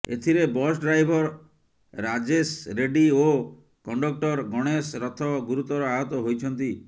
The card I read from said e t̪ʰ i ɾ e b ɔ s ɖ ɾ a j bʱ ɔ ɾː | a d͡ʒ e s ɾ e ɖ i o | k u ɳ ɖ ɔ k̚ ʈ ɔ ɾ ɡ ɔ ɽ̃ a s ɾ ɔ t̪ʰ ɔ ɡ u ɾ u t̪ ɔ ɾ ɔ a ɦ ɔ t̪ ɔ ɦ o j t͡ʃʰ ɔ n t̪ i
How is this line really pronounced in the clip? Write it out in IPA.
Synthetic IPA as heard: e t̪ʰ i ɾ e b ɔ s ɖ ɾ a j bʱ ɔ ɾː | a d͡ʒ e s ɾ e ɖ i o | k ɔ ɳ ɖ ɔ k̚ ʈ ɔ ɾ ɡ ɔ ɽ̃ e s ɾ ɔ t̪ʰ ɔ ɡ u ɾ u t̪ ɔ ɾ ɔ a ɦ ɔ t̪ ɔ ɦ o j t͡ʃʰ ɔ n t̪ i